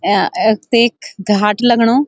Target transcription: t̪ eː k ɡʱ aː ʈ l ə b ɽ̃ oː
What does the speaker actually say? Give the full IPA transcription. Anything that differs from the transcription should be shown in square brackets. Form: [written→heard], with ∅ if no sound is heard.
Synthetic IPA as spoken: t̪ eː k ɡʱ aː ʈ l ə [b→ɡ] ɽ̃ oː

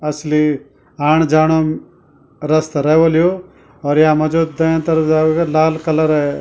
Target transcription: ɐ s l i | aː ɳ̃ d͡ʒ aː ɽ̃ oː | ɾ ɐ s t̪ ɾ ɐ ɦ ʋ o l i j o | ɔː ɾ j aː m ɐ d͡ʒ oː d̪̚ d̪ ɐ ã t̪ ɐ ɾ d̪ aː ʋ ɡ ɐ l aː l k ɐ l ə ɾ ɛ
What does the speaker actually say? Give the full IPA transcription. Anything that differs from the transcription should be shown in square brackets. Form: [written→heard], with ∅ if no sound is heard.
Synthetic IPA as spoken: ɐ s l i | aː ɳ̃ d͡ʒ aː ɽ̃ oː | ɾ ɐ s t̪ ɾ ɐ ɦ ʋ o l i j o | ɔː ɾ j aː m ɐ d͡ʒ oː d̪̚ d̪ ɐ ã t̪ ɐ ɾ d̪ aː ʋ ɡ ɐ l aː l k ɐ l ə ɾ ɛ

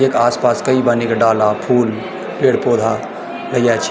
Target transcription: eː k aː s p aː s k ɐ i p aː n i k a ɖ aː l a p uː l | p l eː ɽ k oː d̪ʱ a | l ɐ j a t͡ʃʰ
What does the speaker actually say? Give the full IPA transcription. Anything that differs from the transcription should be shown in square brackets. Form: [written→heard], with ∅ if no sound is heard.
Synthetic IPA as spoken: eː k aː s p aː s k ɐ i [p→b] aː n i k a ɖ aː l a [p→pʰ] uː l | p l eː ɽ [k→p] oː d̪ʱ a | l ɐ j a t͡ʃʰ

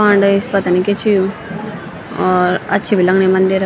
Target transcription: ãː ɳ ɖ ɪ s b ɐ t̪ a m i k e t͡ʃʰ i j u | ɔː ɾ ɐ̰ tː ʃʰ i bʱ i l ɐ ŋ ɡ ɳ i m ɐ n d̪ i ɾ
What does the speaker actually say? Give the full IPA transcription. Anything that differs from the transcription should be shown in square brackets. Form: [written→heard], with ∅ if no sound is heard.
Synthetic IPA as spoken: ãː ɳ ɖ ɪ s [b→p] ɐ t̪ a [m→n] i k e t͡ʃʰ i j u | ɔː ɾ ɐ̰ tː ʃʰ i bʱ i l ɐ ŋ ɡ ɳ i m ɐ n d̪ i ɾ

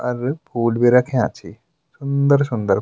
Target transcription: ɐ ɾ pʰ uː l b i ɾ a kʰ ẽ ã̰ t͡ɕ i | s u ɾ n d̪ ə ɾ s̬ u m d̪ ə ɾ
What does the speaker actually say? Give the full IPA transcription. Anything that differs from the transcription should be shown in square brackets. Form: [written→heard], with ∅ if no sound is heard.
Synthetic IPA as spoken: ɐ ɾ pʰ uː l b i ɾ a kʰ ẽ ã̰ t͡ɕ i | s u [ɾ→∅] n d̪ ə ɾ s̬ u [m→n] d̪ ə ɾ

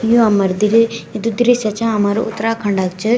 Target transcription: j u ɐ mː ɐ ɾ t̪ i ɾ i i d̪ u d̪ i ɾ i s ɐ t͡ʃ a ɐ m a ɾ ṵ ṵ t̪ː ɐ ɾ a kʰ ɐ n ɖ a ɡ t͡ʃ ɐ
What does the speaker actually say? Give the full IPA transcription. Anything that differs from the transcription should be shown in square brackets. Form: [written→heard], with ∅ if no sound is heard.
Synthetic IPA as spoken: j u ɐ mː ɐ ɾ [t̪→d̪] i ɾ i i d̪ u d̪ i ɾ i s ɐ t͡ʃ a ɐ m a ɾ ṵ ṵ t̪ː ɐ ɾ a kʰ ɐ [n→ɳ] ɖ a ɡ t͡ʃ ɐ

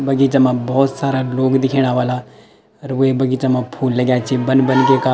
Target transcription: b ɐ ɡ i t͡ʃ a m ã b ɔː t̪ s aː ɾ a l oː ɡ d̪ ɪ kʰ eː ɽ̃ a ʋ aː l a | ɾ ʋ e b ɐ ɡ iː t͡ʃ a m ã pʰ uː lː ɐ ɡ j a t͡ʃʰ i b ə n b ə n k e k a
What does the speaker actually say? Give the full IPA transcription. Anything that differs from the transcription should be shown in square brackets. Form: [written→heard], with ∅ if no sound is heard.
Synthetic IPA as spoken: b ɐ ɡ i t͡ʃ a m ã b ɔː t̪ s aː ɾ a l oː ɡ d̪ ɪ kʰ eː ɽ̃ a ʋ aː l a | ɾ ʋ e b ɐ ɡ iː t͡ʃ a m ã pʰ uː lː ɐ ɡ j a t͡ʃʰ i b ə n b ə n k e k a

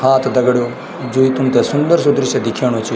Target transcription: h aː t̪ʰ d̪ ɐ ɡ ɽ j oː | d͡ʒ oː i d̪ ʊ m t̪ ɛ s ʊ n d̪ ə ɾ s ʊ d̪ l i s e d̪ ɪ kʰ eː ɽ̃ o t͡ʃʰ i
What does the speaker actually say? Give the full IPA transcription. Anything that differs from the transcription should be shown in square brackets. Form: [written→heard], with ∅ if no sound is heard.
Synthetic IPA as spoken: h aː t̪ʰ d̪ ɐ ɡ ɽ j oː | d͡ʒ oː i [d̪→t̪] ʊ m t̪ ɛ s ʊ n d̪ ə ɾ s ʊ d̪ [l→ɾ] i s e d̪ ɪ kʰ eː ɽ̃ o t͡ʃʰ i

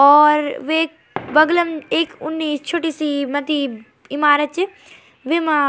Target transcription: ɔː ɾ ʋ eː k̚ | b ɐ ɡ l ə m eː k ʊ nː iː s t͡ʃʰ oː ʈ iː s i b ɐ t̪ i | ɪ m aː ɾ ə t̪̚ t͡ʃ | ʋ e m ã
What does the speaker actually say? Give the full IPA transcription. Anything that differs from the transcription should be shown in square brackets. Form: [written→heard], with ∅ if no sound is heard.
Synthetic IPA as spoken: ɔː ɾ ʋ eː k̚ | b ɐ ɡ l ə m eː k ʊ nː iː s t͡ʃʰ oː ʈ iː s i [b→m] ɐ t̪ i | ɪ m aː ɾ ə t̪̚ t͡ʃ | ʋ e m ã

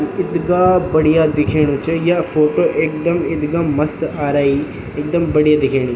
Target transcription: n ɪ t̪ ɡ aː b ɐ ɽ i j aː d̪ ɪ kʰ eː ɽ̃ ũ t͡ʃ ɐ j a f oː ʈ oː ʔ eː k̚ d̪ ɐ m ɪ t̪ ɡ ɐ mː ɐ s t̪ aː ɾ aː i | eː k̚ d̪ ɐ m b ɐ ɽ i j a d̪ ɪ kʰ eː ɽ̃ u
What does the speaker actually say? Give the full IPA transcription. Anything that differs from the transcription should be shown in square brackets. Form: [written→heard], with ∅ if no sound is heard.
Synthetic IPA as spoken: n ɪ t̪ ɡ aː b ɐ ɽ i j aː d̪ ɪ kʰ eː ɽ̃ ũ t͡ʃ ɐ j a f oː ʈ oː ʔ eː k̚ d̪ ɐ m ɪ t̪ ɡ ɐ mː ɐ s t̪ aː ɾ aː i | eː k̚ d̪ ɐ m b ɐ ɽ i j a d̪ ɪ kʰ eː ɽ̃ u

